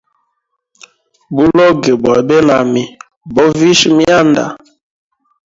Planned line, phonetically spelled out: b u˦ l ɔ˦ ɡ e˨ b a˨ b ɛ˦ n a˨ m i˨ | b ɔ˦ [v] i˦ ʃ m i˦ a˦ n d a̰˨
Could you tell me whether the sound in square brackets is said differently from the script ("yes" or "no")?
no